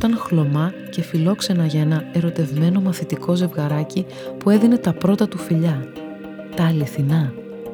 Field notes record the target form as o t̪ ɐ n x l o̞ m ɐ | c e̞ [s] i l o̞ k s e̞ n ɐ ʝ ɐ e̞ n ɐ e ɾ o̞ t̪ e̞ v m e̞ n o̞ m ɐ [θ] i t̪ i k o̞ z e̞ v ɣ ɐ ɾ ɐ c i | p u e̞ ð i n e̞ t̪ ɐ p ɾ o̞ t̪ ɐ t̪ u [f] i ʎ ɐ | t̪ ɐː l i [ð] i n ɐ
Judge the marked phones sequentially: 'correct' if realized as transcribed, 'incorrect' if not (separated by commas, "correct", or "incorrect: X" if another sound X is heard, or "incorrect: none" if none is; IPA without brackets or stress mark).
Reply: incorrect: f, correct, correct, incorrect: θ